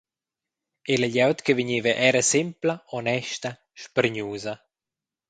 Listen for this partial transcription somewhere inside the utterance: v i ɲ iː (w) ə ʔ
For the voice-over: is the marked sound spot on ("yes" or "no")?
no